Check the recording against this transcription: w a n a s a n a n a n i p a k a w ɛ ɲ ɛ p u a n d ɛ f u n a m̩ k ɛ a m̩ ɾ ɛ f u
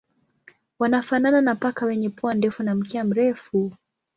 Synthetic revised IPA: w a n a f a n a n a n a p a k a w ɛ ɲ ɛ p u a n d ɛ f u n a m̩ k ɛ a m̩ ɾ ɛ f u